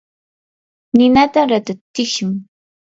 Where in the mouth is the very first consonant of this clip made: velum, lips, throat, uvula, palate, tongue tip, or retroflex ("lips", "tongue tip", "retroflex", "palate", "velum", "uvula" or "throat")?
tongue tip